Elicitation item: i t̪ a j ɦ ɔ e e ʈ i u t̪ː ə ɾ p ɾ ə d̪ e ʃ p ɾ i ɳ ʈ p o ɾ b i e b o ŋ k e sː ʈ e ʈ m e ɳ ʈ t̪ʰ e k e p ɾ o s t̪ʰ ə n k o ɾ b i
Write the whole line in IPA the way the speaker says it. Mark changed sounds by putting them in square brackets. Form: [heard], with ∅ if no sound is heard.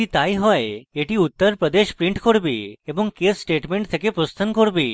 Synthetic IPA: i t̪ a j ɦ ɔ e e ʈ i u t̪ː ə ɾ p ɾ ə d̪ e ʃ p ɾ i ɳ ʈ [k] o ɾ b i e b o ŋ k e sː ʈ e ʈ m e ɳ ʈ t̪ʰ e k e p ɾ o s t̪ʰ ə n k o ɾ b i